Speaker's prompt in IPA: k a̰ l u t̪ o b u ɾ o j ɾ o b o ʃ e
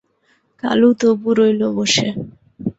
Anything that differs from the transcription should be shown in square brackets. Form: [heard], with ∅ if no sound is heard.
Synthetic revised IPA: k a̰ l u t̪ o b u ɾ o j [l] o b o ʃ e